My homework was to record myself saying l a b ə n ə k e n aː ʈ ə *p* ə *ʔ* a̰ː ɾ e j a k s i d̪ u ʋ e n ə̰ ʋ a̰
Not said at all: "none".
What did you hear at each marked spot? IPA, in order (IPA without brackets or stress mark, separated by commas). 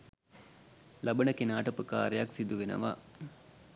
p, k